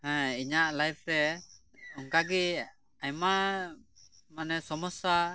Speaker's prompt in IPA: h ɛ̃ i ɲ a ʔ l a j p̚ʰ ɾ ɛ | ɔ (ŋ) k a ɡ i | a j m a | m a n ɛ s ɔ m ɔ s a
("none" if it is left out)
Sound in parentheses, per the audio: ŋ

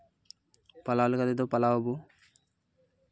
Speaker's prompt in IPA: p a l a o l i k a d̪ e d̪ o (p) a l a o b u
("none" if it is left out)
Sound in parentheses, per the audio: p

